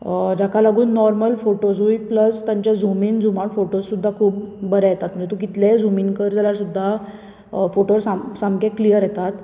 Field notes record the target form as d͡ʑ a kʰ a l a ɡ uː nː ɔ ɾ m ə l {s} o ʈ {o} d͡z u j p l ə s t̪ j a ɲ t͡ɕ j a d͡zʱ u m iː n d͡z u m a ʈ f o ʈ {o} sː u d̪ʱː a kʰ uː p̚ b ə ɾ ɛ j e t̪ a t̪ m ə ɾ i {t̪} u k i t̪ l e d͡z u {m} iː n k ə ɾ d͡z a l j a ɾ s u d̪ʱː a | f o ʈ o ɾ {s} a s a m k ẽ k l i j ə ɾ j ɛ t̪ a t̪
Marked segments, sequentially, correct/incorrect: incorrect, correct, correct, correct, correct, correct

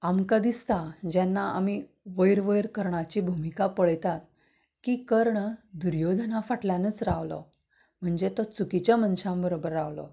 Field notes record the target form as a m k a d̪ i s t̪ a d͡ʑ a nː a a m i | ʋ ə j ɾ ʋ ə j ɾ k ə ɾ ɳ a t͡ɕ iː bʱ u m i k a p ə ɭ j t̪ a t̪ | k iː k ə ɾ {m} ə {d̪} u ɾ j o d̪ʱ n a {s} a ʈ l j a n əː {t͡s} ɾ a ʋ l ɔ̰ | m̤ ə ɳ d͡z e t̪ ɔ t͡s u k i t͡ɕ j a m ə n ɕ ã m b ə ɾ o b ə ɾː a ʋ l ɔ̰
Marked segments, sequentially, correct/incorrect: incorrect, correct, incorrect, correct

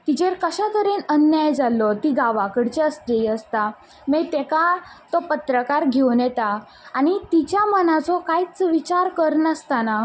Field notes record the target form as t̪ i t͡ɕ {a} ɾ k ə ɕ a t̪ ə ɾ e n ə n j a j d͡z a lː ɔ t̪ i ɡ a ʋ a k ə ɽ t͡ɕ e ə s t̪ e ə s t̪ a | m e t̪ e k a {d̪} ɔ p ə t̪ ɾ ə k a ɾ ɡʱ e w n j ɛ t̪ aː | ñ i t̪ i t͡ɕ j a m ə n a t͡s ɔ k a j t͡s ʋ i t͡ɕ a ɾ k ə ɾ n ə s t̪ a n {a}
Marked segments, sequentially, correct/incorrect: incorrect, incorrect, correct

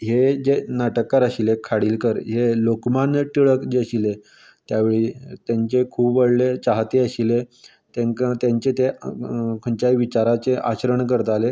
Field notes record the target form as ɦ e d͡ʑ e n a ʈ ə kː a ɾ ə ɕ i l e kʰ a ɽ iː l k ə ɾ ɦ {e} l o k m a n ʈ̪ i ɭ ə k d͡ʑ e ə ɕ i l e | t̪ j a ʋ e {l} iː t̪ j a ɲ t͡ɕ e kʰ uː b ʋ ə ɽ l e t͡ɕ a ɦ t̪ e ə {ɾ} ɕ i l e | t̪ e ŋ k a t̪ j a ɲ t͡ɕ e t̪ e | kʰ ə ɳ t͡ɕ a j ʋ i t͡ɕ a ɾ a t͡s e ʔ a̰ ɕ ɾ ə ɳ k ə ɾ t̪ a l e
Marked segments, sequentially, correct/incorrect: correct, incorrect, incorrect

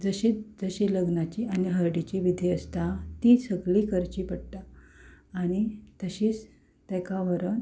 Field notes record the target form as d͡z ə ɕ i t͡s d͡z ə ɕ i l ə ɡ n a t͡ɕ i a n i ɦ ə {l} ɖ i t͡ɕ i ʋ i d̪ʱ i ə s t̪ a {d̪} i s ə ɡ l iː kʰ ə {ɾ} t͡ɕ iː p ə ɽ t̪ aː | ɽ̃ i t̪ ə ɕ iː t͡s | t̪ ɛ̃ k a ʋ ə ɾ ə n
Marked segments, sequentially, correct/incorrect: incorrect, incorrect, correct

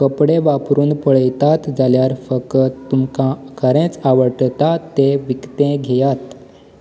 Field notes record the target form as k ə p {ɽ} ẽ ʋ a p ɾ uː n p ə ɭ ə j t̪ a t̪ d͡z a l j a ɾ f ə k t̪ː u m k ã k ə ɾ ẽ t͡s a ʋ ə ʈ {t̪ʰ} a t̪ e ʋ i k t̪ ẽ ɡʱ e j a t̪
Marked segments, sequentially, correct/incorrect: correct, incorrect

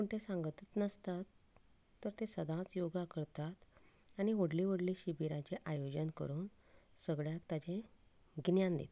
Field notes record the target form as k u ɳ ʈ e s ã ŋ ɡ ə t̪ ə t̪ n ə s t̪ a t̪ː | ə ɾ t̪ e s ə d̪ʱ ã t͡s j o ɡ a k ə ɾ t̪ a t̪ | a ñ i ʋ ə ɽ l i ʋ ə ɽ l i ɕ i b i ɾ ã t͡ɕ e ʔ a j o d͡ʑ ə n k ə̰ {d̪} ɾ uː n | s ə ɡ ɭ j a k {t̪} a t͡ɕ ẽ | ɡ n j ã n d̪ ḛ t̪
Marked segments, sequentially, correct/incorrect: incorrect, correct

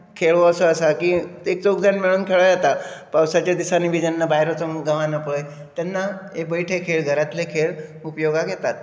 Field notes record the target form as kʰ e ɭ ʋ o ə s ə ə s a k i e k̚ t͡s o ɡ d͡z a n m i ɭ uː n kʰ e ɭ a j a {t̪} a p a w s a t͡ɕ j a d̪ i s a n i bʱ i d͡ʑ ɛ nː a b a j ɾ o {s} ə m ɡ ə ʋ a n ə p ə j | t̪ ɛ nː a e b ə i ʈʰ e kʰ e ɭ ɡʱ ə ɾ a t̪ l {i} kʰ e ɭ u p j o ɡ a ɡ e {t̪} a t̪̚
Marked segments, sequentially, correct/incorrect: correct, incorrect, incorrect, correct

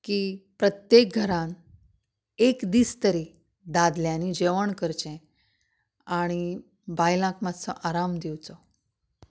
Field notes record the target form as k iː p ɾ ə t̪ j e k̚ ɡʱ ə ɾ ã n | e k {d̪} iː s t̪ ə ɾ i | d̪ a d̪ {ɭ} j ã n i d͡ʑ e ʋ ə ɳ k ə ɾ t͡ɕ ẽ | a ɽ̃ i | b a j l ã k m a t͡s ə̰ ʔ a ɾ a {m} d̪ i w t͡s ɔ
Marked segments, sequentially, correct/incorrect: correct, incorrect, correct

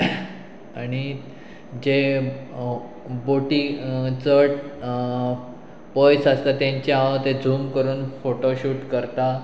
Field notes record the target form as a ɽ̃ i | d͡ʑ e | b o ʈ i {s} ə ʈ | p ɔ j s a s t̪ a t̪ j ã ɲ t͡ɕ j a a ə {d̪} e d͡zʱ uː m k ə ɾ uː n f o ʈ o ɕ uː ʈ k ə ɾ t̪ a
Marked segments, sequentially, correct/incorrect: incorrect, incorrect

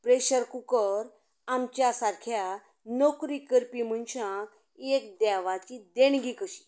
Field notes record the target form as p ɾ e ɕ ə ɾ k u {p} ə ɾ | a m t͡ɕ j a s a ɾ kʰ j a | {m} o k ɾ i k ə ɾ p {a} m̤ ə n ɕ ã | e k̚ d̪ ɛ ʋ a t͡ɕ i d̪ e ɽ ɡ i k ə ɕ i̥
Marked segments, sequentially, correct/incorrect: incorrect, incorrect, incorrect

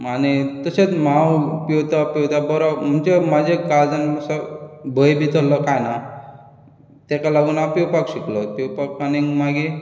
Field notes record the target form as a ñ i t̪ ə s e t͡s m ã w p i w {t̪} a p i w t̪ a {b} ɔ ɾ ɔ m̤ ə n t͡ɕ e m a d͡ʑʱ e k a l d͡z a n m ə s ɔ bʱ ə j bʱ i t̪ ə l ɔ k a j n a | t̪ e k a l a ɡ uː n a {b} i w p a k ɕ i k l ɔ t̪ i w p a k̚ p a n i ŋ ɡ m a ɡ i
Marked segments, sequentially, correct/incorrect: correct, correct, incorrect

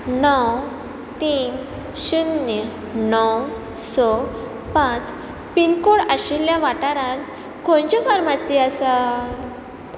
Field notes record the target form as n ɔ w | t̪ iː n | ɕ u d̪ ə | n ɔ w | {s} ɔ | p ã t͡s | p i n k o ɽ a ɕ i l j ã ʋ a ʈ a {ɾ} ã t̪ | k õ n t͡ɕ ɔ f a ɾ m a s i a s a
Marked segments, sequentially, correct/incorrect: correct, correct

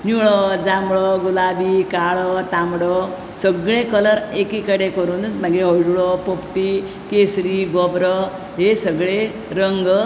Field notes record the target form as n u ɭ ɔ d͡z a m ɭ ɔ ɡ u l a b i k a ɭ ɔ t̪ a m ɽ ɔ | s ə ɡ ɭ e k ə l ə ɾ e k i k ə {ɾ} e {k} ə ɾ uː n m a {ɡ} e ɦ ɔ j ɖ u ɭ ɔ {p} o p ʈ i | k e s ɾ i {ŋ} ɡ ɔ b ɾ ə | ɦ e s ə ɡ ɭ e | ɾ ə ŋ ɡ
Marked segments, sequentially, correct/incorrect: incorrect, correct, correct, correct, incorrect

